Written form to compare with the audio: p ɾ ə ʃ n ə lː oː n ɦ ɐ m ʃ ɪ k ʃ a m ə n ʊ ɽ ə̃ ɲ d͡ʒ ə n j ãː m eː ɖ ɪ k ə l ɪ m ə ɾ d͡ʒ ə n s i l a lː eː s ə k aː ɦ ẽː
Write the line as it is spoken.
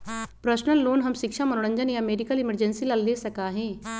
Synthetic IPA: p ɾ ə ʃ n ə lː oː n ɦ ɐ m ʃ ɪ k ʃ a m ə n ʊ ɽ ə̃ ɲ d͡ʒ ə n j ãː m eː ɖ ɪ k ə l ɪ m ə ɾ d͡ʒ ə n s i l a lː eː s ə k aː ɦ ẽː